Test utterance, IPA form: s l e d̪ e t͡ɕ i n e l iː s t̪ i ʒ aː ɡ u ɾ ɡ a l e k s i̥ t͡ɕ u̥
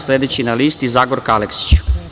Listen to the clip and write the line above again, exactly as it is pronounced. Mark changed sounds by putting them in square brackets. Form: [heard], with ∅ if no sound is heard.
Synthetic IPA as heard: s l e d̪ e t͡ɕ i n [a] l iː s t̪ i [z] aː ɡ [o] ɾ [k] a l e k s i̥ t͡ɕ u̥

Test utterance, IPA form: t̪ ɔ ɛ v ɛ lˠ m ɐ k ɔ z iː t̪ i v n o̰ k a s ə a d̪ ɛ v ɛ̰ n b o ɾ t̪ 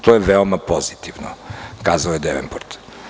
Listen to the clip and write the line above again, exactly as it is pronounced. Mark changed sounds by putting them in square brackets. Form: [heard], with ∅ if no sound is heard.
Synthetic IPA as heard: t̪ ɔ ɛ v ɛ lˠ m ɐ [p] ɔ z [i] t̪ i v n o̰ k a [z] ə [ɛ] d̪ ɛ v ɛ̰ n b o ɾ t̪

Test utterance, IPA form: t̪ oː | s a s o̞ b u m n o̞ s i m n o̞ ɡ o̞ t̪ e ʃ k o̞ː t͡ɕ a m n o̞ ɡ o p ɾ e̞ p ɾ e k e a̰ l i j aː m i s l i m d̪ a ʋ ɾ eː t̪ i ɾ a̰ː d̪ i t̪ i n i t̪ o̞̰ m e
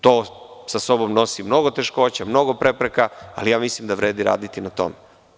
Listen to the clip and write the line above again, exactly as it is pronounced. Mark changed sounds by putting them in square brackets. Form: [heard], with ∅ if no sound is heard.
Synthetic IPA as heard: t̪ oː | s a s o̞ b [o] m n o̞ s i m n o̞ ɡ o̞ t̪ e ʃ k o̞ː t͡ɕ a m n o̞ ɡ o p ɾ e̞ p ɾ e k [a] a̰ l i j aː m i s l i m d̪ a ʋ ɾ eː [d̪] i ɾ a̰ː d̪ i t̪ i n [a] t̪ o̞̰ m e

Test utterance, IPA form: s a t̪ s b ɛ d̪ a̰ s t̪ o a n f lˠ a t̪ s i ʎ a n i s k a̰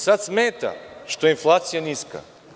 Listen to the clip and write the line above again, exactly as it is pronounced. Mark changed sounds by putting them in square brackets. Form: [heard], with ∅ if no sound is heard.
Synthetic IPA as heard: s a t̪ s [m] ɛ [t̪] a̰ [ʃ] t̪ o [i] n f lˠ a t̪ s i [j] a n i s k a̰

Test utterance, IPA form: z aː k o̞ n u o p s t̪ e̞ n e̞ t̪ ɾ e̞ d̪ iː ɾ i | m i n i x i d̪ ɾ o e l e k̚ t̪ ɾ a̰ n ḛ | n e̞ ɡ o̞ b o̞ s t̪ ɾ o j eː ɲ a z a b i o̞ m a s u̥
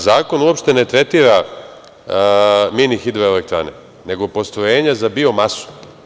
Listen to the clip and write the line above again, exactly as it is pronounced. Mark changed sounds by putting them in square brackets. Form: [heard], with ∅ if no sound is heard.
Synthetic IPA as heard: z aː k o̞ n u o p [ʃ] t̪ e̞ n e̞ t̪ ɾ e̞ [t̪] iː ɾ [a] | m i n i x i d̪ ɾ o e l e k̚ t̪ ɾ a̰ n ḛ | n e̞ ɡ o̞ [p] o̞ s t̪ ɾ o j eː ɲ a z a b i o̞ m a s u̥

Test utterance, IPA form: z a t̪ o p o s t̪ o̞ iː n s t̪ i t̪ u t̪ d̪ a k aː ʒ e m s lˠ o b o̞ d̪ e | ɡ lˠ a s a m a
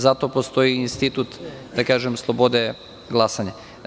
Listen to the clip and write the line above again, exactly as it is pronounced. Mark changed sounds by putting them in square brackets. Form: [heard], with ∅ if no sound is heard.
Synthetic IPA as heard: z a t̪ o p o s t̪ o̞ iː n s t̪ i t̪ u t̪ d̪ a k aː ʒ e m s lˠ o b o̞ d̪ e | ɡ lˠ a s a [ɲ] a

